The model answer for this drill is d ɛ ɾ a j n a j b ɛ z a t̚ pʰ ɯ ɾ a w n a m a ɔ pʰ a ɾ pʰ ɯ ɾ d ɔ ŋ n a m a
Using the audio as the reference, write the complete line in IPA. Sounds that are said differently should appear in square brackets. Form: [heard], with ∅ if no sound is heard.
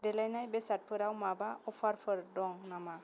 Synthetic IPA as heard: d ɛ [l] a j n a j b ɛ [s] a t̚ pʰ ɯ ɾ a w [m] a [b] a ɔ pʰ a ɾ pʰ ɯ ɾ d ɔ ŋ n a m a